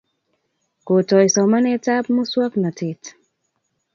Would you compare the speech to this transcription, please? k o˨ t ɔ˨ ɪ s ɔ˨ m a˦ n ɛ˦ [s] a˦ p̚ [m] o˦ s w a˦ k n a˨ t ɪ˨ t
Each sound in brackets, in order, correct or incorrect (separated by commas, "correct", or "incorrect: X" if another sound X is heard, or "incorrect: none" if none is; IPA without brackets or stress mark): incorrect: t, correct